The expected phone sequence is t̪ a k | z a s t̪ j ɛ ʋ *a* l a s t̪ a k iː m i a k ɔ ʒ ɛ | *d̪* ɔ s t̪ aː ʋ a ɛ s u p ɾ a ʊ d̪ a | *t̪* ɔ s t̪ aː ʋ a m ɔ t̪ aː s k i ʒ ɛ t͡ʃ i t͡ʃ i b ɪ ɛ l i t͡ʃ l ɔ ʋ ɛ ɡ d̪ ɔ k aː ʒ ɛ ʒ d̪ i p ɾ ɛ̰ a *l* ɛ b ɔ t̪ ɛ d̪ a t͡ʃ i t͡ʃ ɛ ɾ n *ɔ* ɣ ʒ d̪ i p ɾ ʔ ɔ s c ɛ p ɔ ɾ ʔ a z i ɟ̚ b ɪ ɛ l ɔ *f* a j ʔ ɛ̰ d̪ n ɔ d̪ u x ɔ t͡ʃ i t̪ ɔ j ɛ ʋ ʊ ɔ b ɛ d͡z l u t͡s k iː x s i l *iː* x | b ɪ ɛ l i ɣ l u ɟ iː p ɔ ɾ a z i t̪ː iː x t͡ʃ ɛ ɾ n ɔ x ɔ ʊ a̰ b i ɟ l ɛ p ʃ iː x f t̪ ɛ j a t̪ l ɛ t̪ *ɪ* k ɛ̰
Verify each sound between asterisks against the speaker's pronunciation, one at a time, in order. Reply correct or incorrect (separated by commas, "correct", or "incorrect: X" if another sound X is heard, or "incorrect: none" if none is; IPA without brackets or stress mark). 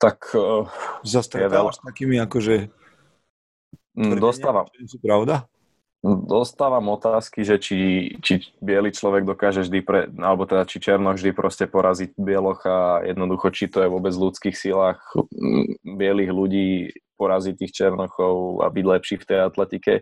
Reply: incorrect: ɛ, correct, incorrect: d̪, correct, correct, incorrect: x, incorrect: aː, incorrect: i